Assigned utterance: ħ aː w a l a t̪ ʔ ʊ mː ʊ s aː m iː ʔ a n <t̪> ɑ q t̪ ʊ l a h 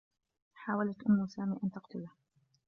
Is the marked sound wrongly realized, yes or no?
no